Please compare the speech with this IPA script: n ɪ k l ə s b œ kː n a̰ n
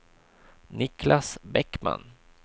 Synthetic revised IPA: n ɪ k l a s b ɛ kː m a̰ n